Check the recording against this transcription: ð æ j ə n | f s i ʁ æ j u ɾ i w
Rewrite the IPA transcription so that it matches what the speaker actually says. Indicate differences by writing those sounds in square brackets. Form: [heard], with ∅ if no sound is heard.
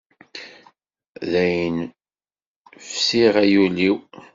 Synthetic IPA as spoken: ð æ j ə n | f s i ʁ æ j u [l] i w

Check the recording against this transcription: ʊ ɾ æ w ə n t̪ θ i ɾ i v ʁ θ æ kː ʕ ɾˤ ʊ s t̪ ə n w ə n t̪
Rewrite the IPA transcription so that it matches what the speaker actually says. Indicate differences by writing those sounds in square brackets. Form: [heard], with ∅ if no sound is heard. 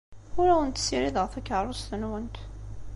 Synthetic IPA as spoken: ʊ ɾ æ w ə n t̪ [s] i ɾ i [ð] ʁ θ æ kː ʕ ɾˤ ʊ s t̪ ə n w ə n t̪

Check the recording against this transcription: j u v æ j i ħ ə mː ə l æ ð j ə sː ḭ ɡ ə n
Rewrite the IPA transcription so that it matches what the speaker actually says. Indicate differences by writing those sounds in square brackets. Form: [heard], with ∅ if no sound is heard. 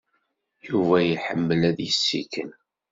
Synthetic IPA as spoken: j u v æ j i ħ ə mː ə l æ ð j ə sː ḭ [k] ə n

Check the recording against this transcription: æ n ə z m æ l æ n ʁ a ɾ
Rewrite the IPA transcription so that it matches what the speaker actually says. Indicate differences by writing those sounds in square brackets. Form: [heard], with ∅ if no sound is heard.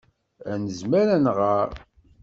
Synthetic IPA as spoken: æ n ə z m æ [ɾ] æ n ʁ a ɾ

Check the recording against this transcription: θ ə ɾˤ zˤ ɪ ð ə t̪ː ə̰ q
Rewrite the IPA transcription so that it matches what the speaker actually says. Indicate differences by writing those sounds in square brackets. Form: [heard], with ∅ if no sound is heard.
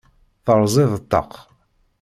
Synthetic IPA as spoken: θ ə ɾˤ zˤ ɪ ð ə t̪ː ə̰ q

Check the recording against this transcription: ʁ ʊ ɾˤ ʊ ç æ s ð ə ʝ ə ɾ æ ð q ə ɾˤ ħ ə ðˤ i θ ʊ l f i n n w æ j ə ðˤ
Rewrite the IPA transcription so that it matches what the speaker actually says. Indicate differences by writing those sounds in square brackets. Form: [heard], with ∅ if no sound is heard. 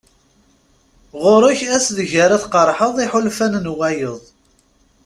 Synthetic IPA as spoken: ʁ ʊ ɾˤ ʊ ç æ s ð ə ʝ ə ɾ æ [θ] q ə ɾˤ ħ ə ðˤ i [ħ] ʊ l f [æ] n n w æ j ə ðˤ

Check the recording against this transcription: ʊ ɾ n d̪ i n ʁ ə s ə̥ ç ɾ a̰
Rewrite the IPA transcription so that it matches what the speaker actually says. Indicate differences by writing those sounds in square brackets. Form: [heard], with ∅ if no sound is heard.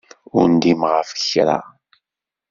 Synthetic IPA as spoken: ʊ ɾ n d̪ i [m] ʁ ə [f] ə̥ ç ɾ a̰

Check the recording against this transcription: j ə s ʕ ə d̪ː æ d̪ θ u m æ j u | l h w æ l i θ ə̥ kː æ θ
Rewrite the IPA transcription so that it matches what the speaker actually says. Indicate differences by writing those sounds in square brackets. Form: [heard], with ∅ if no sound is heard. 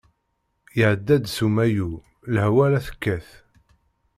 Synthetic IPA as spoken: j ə [∅] ʕ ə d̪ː æ d̪ [s] u m æ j u | l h w æ l [æ] θ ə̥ kː æ θ

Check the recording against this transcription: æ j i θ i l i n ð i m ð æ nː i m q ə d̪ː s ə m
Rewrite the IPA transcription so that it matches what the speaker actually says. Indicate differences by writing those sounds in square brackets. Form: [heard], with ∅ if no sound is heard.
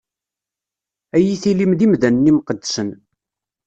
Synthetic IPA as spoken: æ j i θ i l i [m] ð i m ð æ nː i m q ə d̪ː s ə [n]

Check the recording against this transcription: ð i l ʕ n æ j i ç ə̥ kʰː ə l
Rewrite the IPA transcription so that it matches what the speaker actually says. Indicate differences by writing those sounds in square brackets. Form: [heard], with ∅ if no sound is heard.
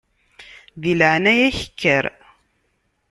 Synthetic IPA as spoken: ð i l ʕ n æ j [æ] ç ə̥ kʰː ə [ɾ]

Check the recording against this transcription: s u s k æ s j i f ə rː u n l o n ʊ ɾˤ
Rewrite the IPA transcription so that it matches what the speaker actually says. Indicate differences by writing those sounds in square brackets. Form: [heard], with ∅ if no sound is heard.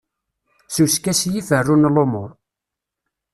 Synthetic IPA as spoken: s u s k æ s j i f ə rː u n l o [m] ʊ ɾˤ

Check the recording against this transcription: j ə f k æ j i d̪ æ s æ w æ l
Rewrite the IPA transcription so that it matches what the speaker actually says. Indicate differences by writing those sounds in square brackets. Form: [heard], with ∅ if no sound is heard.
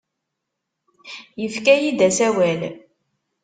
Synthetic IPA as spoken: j ə f k æ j i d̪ æ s æ w æ l

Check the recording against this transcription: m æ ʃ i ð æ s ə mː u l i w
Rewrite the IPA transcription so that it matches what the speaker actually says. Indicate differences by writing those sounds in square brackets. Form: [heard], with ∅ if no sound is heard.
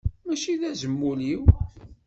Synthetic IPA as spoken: m æ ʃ i ð æ [z] ə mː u l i w

